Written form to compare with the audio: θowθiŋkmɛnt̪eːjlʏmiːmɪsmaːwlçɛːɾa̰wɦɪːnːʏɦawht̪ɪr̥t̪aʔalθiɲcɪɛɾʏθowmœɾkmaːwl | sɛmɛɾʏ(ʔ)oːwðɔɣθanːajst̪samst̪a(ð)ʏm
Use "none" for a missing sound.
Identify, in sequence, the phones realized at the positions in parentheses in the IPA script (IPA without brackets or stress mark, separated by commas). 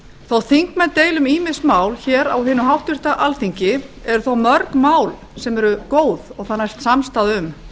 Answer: k, ð